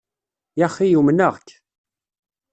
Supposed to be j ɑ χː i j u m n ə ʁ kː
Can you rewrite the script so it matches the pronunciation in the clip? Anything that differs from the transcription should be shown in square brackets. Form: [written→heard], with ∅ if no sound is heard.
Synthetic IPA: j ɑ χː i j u m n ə ʁ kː